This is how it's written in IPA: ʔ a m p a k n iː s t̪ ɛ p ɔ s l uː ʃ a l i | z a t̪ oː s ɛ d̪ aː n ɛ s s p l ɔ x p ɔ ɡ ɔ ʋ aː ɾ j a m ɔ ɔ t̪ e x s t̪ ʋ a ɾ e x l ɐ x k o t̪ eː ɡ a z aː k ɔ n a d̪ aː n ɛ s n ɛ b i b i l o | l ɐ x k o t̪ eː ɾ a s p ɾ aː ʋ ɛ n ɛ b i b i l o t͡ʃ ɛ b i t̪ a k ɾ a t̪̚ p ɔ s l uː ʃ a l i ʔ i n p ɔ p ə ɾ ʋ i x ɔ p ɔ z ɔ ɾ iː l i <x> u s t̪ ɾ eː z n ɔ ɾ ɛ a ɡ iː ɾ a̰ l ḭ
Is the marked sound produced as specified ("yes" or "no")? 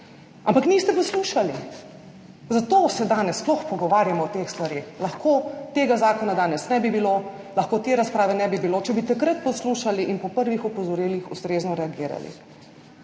yes